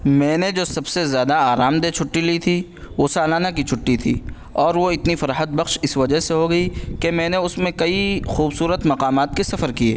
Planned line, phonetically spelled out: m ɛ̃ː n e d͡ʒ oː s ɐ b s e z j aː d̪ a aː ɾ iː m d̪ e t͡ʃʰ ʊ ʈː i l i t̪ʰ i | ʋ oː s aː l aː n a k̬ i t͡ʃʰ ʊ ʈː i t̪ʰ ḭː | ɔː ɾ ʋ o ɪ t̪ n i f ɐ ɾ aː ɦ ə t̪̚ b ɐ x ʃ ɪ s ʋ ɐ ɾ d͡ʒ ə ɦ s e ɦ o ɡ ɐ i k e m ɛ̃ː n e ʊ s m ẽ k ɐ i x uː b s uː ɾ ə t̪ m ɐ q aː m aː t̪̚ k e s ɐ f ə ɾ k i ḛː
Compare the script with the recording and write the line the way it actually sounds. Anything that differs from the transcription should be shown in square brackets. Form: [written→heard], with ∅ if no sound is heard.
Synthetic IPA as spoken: m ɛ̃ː n e d͡ʒ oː s ɐ b s e z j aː d̪ a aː ɾ [iː→aː] m d̪ e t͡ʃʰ ʊ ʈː i l i t̪ʰ i | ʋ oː s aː l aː n a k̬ i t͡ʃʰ ʊ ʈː i t̪ʰ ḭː | ɔː ɾ ʋ o ɪ t̪ n i f ɐ ɾ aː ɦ ə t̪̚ b ɐ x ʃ ɪ s ʋ ɐ [ɾ→∅] d͡ʒ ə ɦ s e ɦ o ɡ ɐ i k e m ɛ̃ː n e ʊ s m ẽ k ɐ i x uː b s uː ɾ ə t̪ m ɐ q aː m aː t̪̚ k e s ɐ f ə ɾ k i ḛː

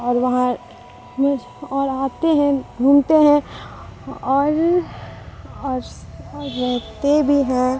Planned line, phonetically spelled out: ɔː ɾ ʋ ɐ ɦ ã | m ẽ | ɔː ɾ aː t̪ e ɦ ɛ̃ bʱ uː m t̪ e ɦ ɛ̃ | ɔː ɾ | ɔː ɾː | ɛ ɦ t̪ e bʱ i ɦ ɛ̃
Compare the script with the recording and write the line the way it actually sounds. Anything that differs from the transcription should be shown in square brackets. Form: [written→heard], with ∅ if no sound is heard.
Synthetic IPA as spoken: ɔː ɾ ʋ ɐ ɦ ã | m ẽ | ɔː ɾ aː t̪ e ɦ ɛ̃ bʱ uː m t̪ e ɦ ɛ̃ | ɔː ɾ | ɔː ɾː | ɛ ɦ t̪ e bʱ i ɦ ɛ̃

